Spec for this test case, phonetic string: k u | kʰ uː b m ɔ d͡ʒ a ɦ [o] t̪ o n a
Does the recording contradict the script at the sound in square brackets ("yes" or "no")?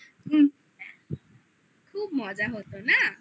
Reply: no